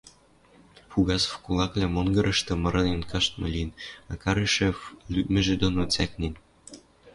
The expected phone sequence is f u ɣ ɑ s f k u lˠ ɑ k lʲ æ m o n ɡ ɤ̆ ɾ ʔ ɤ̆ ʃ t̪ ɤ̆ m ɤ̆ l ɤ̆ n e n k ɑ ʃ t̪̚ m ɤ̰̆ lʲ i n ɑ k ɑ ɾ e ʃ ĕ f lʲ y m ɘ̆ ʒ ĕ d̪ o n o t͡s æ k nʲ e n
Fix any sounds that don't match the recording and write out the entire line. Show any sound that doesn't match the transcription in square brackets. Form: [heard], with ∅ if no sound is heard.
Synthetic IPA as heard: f u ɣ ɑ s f k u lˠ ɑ k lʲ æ m o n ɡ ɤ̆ ɾ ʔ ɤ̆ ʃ t̪ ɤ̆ m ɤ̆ [ɾ] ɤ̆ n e n k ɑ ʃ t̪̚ m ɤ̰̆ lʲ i n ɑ k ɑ ɾ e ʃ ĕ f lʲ y m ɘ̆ ʒ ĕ d̪ o n o t͡s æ k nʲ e n

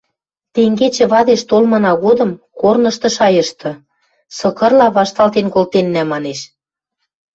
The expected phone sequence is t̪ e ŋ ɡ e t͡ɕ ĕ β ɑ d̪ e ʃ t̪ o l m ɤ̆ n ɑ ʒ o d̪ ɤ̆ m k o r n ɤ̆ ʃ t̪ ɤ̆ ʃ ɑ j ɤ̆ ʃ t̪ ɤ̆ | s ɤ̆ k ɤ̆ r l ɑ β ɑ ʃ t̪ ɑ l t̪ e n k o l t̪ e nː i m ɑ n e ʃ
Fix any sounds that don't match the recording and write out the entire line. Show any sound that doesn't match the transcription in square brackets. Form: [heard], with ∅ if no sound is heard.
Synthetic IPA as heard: t̪ e ŋ ɡ e t͡ɕ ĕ β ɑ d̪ e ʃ t̪ o l m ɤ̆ n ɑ [ɣ] o d̪ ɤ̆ m k o r n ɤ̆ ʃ t̪ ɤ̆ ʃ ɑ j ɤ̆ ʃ t̪ ɤ̆ | s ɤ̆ k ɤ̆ r l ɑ β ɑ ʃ t̪ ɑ l t̪ e n k o l t̪ e nː [æ] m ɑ n e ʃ

